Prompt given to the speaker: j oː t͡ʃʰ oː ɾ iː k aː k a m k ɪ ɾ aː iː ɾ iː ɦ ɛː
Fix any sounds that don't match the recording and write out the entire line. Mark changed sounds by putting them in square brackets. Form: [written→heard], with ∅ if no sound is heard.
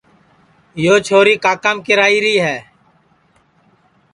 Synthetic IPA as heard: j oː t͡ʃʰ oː ɾ iː k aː k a m k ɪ ɾ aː iː ɾ iː ɦ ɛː